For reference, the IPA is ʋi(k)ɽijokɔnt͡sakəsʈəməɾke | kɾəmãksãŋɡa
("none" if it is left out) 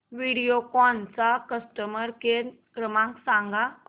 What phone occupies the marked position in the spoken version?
none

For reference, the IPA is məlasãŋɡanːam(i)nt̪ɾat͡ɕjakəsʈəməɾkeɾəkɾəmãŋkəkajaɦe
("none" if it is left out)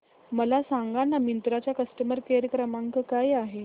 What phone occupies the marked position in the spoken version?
i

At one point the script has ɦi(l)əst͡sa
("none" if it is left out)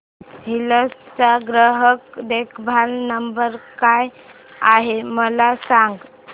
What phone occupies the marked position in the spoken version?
l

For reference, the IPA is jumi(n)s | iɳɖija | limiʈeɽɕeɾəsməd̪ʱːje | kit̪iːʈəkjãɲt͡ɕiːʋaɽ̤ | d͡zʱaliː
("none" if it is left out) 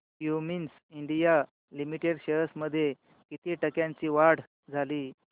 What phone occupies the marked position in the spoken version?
n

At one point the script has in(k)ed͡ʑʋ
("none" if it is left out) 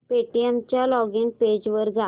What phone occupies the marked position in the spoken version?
p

